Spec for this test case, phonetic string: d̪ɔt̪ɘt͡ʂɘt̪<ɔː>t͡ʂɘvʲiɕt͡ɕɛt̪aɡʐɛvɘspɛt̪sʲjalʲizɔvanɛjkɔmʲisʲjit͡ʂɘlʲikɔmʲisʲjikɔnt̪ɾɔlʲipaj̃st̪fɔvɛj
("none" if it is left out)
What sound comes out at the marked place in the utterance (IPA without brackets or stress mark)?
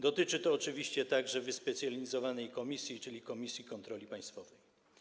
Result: ɔː